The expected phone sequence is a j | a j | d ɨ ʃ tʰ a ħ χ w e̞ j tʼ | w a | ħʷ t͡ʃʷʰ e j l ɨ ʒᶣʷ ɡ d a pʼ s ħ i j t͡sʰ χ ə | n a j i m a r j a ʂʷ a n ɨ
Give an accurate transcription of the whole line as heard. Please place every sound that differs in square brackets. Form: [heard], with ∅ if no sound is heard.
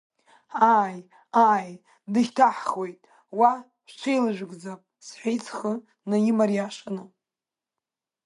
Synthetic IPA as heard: a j | a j | d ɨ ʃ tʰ a ħ χ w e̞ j tʼ | w a | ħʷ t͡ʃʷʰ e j l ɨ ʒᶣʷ ɡ [d͡z] a pʼ s ħ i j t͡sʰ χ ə | n a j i m a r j a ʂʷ a n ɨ

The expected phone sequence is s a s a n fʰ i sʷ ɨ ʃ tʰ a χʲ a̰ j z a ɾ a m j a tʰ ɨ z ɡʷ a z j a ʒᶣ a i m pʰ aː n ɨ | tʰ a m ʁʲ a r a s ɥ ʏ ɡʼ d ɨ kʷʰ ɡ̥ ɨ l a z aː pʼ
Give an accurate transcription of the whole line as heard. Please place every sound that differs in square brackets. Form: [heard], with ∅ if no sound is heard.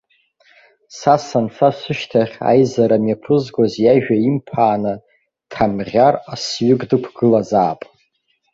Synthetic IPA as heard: s a s a n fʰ [a] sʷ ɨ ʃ tʰ a χʲ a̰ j z a ɾ a m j a [pʰ] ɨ z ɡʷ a z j a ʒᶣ a i m pʰ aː n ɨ | tʰ a m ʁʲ a r a s ɥ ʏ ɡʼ d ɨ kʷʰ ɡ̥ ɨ l a z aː pʼ

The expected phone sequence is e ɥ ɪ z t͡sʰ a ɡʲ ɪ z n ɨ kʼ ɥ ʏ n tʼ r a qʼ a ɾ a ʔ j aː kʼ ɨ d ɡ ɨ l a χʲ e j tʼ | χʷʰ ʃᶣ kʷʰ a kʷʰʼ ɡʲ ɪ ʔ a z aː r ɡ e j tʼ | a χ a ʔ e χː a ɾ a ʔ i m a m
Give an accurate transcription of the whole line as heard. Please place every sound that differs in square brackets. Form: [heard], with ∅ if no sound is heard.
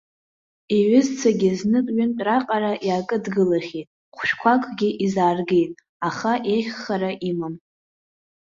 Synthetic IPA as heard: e ɥ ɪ z t͡sʰ a ɡʲ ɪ z n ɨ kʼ ɥ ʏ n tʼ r a qʼ a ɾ a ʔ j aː kʼ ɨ d ɡ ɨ l a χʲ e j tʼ | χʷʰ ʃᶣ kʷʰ a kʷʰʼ ɡʲ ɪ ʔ [i] z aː r ɡ e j tʼ | a χ a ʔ e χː a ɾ a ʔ i m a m

